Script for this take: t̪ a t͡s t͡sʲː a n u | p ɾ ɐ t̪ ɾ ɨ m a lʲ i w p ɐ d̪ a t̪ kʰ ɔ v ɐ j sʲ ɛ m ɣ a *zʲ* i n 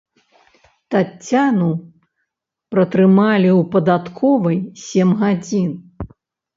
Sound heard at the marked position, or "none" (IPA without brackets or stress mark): d͡zʲ